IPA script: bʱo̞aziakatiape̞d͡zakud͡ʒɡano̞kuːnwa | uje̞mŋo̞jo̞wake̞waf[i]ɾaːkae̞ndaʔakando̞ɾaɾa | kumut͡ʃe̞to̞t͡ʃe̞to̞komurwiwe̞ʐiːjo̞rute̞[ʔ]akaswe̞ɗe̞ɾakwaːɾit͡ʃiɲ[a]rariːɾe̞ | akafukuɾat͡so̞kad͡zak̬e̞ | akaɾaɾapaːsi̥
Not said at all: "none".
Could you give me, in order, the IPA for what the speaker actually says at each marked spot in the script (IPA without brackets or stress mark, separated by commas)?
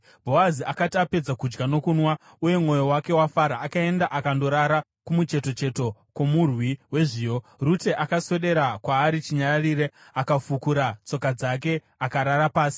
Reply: a, ʔ, a